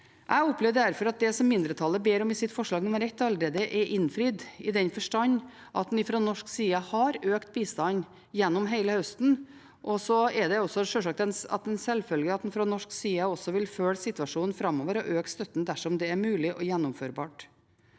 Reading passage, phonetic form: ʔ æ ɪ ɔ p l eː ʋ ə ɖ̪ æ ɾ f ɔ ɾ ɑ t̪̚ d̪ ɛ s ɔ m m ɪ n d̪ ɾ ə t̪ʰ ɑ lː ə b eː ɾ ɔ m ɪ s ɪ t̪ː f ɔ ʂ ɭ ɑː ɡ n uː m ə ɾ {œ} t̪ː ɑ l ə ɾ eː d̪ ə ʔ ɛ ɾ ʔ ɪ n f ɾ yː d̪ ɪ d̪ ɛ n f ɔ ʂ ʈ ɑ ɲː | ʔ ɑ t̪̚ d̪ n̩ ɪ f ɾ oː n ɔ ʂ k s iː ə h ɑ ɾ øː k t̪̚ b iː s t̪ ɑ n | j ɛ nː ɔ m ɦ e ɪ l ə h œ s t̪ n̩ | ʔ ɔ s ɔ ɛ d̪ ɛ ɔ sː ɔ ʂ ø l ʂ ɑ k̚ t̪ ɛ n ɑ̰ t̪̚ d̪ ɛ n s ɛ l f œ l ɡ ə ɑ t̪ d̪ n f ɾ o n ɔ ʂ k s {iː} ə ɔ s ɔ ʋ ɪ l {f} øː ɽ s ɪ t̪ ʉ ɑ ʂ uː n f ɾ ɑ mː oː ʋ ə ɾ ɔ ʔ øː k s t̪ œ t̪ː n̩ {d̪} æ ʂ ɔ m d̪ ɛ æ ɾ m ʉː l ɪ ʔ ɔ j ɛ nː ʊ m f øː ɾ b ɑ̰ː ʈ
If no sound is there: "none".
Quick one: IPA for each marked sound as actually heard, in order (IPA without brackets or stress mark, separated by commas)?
ɛ, iː, f, d̪